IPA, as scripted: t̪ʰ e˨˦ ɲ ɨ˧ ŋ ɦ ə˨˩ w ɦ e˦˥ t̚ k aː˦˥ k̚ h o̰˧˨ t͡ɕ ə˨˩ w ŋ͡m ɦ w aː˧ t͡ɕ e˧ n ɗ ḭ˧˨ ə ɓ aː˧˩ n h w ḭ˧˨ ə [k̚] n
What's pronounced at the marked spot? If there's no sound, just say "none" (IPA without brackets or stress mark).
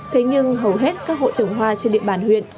none